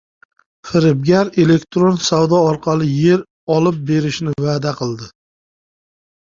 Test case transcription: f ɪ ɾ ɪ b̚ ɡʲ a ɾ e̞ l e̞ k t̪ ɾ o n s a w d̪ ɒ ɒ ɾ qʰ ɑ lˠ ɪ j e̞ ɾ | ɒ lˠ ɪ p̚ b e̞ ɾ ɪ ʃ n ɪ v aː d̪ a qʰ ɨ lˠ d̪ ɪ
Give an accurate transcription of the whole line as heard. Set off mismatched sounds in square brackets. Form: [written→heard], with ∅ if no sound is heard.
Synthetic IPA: f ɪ ɾ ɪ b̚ ɡʲ a ɾ e̞ l e̞ k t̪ ɾ o n s a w d̪ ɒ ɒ ɾ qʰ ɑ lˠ ɪ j e̞ ɾ | ɒ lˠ ɪ p̚ b e̞ ɾ ɪ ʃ n ɪ v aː d̪ a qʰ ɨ lˠ d̪ ɪ